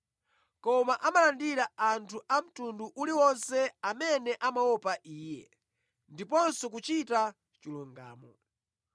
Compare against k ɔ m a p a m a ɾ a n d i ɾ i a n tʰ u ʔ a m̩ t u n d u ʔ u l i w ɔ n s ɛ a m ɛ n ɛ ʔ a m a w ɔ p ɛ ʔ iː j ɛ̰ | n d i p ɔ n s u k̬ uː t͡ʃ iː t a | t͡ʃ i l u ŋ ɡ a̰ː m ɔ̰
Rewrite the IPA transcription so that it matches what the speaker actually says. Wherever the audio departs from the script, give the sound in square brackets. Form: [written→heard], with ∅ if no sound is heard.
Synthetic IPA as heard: k ɔ m a [p→ʔ] a m a [ɾ→l] a n d i ɾ [i→a] a n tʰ u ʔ a m̩ t u n d u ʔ u l i w ɔ n s ɛ a m ɛ n ɛ ʔ a m a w ɔ p [ɛ→a] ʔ iː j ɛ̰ | n d i p ɔ n s [u→ɔ] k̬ [uː→u] t͡ʃ [iː→i] t a | t͡ʃ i l u ŋ ɡ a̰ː m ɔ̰